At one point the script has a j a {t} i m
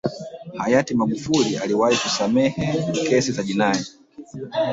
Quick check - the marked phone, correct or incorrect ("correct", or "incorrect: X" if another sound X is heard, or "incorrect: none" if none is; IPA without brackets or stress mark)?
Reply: correct